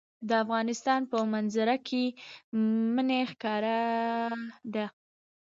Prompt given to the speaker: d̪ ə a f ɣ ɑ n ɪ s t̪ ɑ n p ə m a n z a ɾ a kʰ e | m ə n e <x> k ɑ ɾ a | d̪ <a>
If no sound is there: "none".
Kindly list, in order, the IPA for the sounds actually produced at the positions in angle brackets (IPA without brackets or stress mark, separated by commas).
x, a